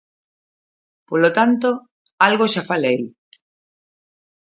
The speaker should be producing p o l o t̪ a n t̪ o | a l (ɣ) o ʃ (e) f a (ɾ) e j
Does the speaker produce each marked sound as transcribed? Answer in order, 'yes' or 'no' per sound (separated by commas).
yes, no, no